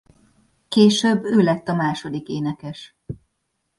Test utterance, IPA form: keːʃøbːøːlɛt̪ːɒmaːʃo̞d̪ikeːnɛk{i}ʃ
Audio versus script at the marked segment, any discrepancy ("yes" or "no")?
yes